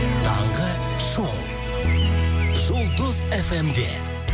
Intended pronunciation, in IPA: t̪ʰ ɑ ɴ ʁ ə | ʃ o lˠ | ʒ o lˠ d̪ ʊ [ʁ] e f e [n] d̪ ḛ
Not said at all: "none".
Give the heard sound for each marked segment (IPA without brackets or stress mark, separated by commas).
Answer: z, m